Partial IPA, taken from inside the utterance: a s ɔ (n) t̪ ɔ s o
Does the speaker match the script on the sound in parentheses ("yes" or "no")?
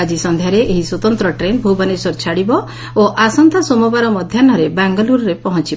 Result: yes